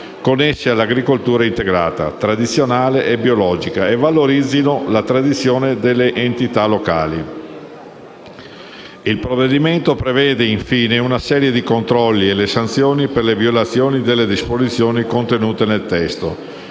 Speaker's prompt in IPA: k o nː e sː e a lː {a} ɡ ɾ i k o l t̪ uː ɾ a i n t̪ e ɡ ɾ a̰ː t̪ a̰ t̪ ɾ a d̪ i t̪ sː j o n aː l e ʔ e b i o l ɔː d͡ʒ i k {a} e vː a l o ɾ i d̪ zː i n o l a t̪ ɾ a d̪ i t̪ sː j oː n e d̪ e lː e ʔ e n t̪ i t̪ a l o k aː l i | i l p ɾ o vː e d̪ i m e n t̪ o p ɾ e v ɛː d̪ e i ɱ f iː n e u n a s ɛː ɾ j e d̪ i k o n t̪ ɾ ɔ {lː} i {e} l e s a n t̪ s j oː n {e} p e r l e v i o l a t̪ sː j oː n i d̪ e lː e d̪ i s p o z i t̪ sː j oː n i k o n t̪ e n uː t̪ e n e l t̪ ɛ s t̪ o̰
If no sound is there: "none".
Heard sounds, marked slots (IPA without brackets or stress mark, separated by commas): a, a, lː, e, i